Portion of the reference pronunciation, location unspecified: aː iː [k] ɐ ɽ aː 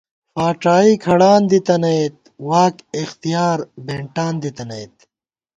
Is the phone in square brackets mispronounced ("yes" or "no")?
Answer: yes